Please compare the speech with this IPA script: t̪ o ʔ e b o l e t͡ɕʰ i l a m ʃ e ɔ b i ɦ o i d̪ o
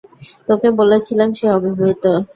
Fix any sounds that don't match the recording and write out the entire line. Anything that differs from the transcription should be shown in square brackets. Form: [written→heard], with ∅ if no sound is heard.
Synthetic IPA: t̪ o [ʔ→k] e b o l e t͡ɕʰ i l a m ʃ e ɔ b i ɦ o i [d̪→t̪] o